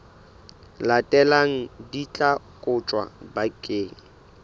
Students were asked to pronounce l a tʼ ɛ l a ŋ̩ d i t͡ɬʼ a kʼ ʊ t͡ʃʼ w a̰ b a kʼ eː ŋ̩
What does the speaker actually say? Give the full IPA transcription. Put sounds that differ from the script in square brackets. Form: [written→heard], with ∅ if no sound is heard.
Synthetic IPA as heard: l a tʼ ɛ l a ŋ̩ d i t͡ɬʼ a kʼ ʊ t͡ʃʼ w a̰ b a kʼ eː ŋ̩